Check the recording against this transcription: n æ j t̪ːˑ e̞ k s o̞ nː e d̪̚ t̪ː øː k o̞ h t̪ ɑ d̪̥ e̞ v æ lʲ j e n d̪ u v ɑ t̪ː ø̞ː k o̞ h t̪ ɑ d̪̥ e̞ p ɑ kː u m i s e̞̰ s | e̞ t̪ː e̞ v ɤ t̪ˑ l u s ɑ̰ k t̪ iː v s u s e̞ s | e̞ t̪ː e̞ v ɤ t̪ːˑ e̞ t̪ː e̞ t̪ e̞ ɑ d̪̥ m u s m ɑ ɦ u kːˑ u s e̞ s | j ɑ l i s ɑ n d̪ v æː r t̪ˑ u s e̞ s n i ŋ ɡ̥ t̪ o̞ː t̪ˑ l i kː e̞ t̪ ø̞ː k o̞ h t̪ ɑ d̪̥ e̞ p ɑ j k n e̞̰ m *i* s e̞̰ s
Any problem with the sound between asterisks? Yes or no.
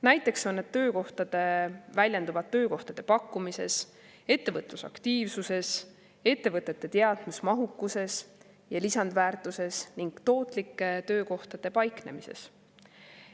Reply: no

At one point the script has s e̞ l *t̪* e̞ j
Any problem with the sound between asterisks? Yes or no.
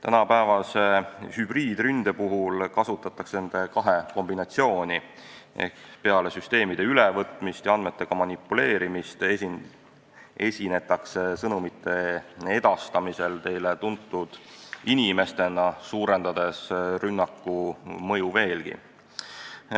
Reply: no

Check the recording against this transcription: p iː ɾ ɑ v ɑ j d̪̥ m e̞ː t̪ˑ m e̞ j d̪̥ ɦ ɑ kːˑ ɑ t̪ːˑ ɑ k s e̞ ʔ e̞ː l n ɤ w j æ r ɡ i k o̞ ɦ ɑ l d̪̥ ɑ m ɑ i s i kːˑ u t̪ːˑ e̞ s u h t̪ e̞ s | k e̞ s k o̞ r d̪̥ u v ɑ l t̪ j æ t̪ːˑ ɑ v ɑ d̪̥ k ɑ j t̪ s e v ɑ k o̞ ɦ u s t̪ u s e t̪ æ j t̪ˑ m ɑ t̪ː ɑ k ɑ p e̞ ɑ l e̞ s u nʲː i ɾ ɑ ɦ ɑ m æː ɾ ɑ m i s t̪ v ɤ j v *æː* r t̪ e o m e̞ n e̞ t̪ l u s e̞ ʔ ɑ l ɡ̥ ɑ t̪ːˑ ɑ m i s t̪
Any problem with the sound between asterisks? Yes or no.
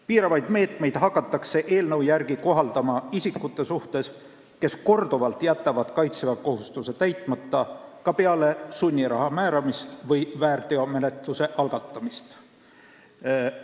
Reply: no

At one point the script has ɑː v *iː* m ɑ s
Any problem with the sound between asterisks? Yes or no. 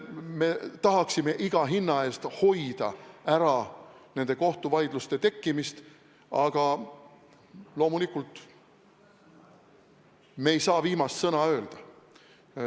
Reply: no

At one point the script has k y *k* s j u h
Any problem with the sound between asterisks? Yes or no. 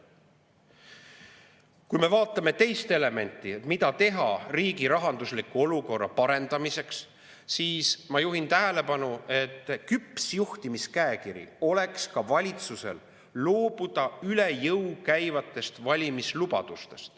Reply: yes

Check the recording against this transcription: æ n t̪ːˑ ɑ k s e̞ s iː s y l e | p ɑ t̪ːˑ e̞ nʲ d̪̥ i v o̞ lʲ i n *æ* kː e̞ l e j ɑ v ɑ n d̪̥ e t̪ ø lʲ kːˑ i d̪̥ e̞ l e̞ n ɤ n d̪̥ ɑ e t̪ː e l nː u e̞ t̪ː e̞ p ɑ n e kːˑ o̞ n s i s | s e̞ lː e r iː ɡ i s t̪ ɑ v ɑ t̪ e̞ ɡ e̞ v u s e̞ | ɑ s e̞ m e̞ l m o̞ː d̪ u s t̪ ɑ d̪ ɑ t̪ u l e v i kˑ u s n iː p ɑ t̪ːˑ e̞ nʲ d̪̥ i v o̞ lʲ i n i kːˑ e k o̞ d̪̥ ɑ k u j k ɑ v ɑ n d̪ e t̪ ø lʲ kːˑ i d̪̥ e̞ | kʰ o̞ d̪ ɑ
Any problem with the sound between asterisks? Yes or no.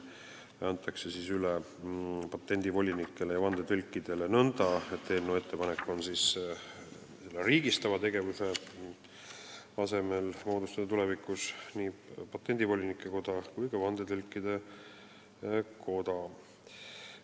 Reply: yes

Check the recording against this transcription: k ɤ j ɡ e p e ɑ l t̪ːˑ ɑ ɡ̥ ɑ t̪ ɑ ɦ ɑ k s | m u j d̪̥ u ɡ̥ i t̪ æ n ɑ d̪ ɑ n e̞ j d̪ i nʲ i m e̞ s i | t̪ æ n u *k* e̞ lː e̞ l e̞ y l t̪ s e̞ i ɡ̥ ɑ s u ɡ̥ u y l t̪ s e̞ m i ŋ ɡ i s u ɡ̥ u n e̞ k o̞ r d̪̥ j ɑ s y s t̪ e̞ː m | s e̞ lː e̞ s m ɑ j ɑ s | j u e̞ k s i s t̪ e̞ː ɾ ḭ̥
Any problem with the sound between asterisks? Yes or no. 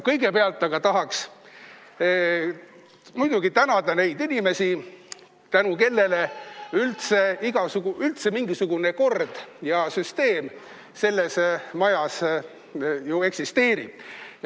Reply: no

